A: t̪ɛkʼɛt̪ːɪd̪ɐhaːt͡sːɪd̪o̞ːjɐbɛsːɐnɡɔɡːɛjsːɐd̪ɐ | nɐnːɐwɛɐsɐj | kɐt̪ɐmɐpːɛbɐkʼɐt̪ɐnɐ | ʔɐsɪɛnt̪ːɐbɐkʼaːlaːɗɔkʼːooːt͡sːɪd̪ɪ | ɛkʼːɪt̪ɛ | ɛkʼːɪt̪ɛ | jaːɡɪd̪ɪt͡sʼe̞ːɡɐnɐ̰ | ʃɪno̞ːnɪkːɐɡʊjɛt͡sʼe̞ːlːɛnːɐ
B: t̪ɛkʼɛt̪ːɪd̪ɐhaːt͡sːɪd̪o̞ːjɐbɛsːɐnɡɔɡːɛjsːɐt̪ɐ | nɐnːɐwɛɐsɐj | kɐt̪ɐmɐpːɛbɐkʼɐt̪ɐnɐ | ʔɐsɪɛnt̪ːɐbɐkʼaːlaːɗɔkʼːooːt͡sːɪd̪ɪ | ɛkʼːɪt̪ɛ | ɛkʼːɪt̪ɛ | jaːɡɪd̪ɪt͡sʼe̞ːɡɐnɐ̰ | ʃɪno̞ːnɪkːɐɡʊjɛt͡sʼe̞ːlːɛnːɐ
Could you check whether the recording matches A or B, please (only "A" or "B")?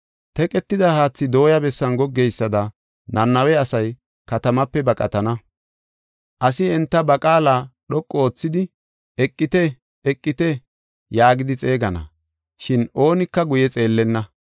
A